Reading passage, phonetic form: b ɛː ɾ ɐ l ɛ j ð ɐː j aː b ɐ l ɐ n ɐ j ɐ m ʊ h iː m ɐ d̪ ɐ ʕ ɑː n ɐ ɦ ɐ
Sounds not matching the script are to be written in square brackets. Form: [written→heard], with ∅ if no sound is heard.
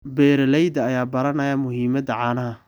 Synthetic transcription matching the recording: b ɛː ɾ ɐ l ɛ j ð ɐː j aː b ɐ [l→ɾ] ɐ n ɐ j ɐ m ʊ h iː m ɐ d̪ ɐ ʕ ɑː n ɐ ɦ ɐ

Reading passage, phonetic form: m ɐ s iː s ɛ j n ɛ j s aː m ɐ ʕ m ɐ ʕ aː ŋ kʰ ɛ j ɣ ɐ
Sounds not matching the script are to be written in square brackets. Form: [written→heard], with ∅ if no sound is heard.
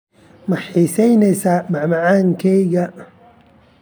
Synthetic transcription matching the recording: m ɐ [s→ħ] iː s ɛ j n ɛ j s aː m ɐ ʕ m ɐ ʕ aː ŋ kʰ ɛ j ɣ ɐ

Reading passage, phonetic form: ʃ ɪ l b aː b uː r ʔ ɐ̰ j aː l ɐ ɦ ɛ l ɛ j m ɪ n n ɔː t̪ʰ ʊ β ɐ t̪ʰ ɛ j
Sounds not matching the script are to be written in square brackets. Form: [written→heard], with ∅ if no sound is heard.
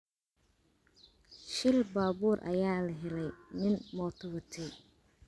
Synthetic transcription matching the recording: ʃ ɪ l b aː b uː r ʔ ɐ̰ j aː l ɐ ɦ ɛ l ɛ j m ɪ n [n→m] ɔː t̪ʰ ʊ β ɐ t̪ʰ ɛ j

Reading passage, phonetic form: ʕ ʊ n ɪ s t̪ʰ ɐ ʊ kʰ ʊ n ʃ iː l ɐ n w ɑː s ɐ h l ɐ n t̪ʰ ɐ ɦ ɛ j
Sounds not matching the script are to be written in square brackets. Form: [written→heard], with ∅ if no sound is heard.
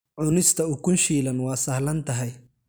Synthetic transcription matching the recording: ʕ ʊ n ɪ s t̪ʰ ɐ ʊ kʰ ʊ n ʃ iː l ɐ n w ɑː s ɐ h l ɐ n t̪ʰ ɐ ɦ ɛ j

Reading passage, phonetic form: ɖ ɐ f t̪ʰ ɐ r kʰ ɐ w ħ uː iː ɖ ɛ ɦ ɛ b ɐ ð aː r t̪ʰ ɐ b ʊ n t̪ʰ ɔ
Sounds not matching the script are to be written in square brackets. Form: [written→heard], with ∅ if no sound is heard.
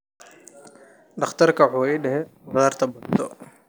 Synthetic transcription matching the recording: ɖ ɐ [f→χ] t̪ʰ ɐ r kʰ ɐ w ħ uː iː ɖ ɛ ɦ ɛ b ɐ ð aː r t̪ʰ ɐ b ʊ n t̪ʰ ɔ

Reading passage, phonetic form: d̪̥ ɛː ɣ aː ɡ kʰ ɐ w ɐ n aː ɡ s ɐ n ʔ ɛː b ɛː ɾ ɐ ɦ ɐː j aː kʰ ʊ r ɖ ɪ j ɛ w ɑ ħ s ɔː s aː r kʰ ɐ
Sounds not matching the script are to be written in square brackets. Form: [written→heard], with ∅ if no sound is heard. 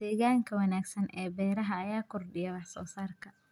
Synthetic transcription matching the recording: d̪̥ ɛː ɣ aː [ɡ→ŋ] kʰ ɐ w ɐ n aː ɡ s ɐ n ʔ ɛː b ɛː ɾ ɐ ɦ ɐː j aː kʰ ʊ r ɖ ɪ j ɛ w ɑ ħ s ɔː s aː r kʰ ɐ

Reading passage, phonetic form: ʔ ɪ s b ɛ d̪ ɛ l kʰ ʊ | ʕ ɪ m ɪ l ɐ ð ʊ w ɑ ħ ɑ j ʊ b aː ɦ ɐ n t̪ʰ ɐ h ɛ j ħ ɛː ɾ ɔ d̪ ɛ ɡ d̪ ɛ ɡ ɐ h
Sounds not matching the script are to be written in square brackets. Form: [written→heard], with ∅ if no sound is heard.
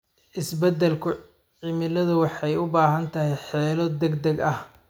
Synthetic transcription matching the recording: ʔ ɪ s b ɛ d̪ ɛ l kʰ ʊ | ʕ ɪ m ɪ l ɐ ð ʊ w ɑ ħ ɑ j ʊ b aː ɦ ɐ n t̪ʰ ɐ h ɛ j ħ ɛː [ɾ→l] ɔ d̪ ɛ ɡ d̪ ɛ ɡ ɐ h

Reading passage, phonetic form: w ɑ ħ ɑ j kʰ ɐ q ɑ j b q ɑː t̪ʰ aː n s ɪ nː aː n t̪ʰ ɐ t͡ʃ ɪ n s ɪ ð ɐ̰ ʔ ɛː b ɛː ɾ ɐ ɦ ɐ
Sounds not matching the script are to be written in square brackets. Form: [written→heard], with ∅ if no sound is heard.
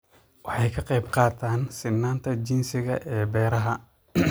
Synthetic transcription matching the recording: w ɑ ħ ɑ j kʰ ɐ q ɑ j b q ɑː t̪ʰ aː n s ɪ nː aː n t̪ʰ ɐ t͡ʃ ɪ n s ɪ [ð→ɣ] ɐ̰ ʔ ɛː b ɛː ɾ ɐ ɦ ɐ

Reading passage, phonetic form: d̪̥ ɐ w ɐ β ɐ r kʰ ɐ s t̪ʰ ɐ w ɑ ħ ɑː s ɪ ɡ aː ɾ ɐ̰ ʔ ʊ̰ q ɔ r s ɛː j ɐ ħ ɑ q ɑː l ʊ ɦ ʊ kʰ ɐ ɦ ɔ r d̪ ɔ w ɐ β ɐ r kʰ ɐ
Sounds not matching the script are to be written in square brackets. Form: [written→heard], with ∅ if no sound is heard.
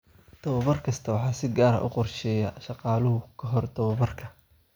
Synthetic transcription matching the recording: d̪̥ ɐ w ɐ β ɐ r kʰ ɐ s t̪ʰ ɐ w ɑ ħ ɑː s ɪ ɡ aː ɾ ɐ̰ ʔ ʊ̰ q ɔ r [s→ʃ] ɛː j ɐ [ħ→ʃ] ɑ q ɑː l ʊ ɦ ʊ kʰ ɐ ɦ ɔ r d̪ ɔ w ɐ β ɐ r kʰ ɐ

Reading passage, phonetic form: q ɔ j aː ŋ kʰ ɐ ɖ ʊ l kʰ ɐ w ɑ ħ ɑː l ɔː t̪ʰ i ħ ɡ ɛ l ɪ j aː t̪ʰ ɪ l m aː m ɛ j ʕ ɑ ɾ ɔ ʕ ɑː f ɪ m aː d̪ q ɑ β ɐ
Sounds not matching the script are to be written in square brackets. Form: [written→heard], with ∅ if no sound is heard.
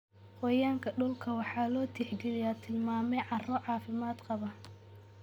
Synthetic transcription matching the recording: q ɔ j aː ŋ kʰ ɐ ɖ ʊ l kʰ ɐ w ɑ ħ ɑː l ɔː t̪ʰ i ħ ɡ ɛ l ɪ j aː t̪ʰ ɪ l m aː m ɛ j ʕ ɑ [ɾ→r] ɔ ʕ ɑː f ɪ m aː d̪ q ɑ β ɐ

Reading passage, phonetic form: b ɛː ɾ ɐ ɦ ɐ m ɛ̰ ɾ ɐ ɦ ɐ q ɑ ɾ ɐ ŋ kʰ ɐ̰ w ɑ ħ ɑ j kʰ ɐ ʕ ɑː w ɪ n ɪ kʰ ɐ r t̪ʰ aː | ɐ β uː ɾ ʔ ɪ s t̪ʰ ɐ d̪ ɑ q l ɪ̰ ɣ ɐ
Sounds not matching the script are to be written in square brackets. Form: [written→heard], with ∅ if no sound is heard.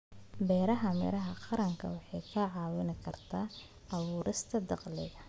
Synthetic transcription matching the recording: b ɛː ɾ ɐ ɦ ɐ m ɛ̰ ɾ ɐ ɦ ɐ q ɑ ɾ ɐ ŋ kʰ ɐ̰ w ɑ ħ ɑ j kʰ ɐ ʕ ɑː w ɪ n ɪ kʰ ɐ r t̪ʰ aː | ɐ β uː ɾ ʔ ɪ s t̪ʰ ɐ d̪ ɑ q l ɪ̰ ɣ ɐ

